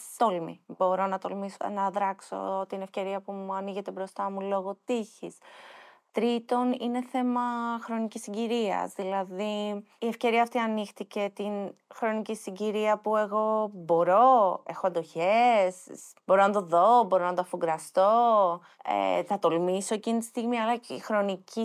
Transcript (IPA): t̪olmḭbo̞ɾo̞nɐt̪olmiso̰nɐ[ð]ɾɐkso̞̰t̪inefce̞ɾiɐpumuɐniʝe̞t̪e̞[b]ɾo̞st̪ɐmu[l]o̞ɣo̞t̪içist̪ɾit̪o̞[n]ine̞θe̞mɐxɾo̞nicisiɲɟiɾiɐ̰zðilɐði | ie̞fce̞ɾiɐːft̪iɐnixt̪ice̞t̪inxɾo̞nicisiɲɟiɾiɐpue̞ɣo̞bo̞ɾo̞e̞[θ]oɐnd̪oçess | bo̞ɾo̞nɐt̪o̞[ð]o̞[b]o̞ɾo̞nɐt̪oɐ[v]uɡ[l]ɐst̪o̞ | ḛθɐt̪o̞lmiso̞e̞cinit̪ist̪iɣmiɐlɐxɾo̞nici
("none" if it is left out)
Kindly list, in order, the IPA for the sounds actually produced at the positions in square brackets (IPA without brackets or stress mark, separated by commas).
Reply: ð, b, l, n, x, ð, b, f, ɾ